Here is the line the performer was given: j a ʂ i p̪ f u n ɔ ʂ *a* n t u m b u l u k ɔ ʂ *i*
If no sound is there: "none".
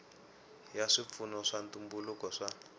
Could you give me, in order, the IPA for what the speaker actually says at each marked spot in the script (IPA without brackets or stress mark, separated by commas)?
a, a